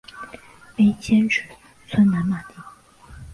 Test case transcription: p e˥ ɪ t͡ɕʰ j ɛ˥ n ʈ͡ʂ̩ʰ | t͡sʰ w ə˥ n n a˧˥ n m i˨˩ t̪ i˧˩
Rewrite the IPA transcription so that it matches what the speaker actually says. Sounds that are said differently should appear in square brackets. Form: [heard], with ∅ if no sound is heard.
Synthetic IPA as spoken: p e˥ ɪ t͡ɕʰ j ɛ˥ n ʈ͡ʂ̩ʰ | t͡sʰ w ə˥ n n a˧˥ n m [a˨˩] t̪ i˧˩